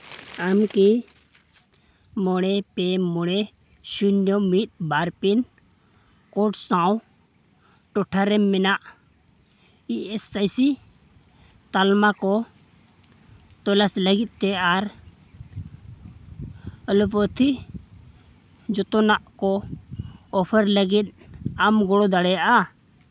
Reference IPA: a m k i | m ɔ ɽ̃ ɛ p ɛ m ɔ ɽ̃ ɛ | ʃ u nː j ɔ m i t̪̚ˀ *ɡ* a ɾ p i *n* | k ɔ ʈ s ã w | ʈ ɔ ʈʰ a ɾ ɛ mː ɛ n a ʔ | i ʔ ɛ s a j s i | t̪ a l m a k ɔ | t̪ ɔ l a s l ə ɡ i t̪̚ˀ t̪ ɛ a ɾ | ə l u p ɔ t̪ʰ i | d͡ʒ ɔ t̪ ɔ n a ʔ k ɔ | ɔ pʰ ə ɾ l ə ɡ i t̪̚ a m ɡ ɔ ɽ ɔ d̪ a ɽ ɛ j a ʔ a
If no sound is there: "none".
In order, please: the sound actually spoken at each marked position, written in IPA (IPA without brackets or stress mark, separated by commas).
b, n